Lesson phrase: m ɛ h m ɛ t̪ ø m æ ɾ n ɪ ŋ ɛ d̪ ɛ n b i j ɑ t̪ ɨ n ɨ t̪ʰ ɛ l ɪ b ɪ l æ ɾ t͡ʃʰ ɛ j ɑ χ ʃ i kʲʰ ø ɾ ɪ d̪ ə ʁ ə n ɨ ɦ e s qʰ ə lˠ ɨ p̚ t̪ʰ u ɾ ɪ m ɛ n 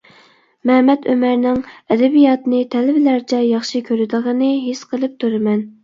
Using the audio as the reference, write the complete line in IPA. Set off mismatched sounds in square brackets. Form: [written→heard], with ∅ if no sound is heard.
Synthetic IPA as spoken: m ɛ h m ɛ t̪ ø m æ ɾ n ɪ ŋ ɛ d̪ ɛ [n→∅] b i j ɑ t̪ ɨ n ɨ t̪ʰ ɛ l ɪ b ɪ l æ ɾ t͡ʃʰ ɛ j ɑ χ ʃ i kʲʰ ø ɾ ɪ d̪ ə ʁ ə n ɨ ɦ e s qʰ ə lˠ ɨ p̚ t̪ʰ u ɾ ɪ m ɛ n

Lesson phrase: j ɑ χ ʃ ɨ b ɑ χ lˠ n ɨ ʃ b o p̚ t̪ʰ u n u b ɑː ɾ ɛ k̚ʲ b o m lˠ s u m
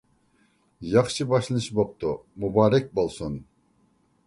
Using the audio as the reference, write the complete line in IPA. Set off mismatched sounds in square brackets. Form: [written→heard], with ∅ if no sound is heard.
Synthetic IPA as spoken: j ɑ χ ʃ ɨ b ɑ [χ→ʃ] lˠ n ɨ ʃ b o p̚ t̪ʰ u [n→m] u b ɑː ɾ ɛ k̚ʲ b o [m→∅] lˠ s u [m→n]

